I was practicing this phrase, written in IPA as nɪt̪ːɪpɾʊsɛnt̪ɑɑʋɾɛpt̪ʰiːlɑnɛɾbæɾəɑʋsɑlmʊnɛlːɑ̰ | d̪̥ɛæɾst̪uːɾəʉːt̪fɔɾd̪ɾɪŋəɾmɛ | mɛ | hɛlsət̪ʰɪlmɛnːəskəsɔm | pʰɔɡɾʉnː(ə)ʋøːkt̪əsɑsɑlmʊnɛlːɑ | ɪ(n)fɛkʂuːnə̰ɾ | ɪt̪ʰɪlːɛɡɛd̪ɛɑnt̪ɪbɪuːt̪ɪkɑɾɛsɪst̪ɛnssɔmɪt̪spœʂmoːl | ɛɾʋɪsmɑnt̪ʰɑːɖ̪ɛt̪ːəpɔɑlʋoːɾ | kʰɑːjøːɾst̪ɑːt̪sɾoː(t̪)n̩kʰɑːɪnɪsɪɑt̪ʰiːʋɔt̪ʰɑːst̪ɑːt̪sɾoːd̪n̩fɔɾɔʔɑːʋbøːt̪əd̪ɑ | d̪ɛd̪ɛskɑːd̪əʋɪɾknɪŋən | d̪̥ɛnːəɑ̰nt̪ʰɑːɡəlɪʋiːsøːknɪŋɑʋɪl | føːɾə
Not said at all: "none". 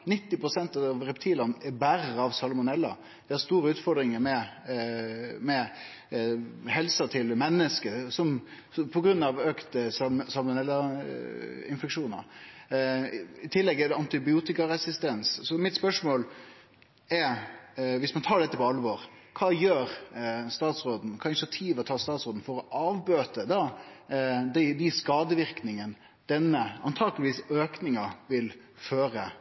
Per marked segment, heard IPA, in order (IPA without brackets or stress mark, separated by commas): ɑ, n, d̪